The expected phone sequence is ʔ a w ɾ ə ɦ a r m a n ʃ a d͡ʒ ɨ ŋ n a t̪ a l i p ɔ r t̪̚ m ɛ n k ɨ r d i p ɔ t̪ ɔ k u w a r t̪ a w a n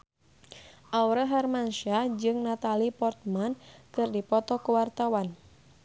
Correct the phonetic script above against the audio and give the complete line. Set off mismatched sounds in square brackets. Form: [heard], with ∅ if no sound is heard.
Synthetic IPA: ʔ a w ɾ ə ɦ a r m a n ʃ a d͡ʒ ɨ ŋ n a t̪ a l i p ɔ r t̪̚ m [a] n k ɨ r d i p ɔ t̪ ɔ k u w a r t̪ a w a n